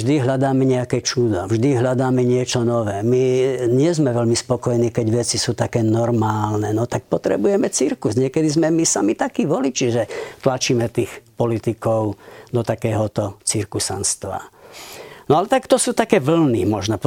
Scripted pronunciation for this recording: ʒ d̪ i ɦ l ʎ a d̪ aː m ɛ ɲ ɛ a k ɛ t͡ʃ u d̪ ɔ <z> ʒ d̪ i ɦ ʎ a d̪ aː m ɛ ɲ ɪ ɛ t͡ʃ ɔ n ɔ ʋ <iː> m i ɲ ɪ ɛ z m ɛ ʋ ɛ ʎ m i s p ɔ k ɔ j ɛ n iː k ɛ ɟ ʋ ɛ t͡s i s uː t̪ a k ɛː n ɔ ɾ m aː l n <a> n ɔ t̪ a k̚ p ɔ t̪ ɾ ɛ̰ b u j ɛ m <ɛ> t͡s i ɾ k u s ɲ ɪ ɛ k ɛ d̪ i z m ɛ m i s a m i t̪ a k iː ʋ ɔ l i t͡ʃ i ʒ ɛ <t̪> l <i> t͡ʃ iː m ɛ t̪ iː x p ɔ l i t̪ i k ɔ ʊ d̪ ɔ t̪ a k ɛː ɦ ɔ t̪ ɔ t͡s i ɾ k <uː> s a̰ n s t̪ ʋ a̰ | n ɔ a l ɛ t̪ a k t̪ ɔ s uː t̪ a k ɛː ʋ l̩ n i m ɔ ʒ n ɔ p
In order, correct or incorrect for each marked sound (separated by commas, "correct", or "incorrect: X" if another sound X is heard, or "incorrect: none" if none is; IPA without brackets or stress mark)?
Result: incorrect: v, incorrect: ɛː, incorrect: ɛ, correct, correct, incorrect: a, incorrect: u